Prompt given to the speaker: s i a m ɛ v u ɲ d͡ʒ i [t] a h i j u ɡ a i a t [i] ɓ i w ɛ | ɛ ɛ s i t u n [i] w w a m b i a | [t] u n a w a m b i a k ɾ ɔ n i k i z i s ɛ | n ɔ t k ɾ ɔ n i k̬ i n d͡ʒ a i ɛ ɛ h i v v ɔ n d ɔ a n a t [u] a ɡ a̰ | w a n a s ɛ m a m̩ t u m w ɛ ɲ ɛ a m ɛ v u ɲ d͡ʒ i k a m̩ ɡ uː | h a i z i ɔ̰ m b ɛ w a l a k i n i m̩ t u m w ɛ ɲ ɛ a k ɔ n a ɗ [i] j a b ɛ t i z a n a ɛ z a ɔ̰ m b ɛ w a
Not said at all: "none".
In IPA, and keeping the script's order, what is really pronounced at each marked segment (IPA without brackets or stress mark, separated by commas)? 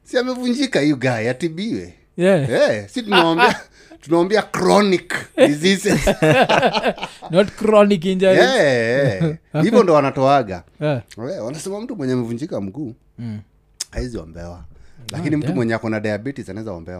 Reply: k, i, a, t, ɔ, a